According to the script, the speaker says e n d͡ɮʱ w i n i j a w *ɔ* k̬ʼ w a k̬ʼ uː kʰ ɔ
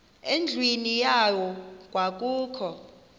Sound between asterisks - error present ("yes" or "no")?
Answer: no